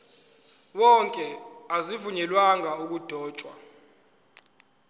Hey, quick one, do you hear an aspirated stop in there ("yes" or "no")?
no